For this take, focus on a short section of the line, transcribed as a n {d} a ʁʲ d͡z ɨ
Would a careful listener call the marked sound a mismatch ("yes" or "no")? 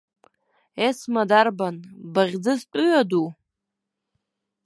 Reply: yes